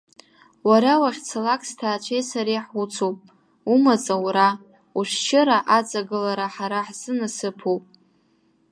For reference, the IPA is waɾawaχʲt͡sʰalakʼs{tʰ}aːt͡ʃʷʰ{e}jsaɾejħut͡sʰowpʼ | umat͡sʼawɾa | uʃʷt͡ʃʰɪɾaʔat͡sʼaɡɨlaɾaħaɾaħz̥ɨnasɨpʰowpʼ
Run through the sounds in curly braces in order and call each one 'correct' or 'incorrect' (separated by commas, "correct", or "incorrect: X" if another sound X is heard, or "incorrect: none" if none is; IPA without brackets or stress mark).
correct, correct